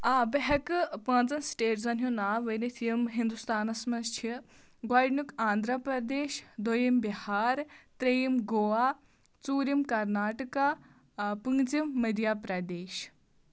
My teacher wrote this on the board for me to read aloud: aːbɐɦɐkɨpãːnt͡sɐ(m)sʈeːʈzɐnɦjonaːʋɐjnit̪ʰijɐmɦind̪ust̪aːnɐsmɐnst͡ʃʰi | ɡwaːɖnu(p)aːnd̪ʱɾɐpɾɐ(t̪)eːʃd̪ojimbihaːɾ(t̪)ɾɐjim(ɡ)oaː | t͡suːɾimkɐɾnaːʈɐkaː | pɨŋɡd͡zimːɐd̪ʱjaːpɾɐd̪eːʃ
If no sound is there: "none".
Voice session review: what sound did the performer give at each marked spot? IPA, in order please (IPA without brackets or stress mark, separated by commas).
n, k, d̪, t̪, ɡ